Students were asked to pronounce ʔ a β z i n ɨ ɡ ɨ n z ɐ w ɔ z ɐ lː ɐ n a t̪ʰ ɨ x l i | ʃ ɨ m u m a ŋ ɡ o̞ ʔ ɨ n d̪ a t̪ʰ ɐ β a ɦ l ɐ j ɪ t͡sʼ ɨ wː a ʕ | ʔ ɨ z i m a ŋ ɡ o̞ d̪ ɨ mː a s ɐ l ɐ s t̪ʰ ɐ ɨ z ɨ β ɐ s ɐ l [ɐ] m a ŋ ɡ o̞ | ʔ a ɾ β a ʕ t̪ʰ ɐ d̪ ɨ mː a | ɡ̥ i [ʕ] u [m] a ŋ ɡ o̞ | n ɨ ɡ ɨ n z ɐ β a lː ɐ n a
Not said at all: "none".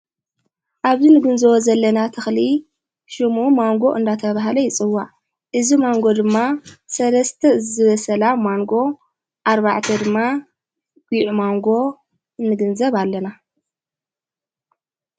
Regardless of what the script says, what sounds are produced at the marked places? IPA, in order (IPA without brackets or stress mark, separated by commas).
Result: a, ʕ, m